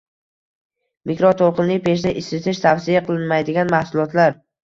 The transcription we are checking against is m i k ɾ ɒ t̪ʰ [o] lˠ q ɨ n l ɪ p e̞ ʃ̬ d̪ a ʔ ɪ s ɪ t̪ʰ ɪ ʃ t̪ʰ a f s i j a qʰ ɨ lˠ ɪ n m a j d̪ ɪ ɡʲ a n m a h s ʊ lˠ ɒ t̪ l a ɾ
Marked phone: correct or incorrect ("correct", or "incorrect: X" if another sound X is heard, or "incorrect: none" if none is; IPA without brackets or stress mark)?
correct